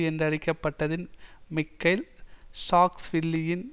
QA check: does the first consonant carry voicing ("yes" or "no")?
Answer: yes